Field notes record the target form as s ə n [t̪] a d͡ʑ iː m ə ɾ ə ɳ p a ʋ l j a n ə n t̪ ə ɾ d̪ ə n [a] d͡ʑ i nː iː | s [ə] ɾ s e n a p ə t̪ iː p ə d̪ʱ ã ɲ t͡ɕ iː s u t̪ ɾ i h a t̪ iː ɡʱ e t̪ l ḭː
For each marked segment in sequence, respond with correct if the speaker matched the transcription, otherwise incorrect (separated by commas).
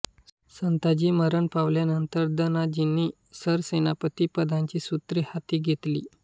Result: correct, correct, correct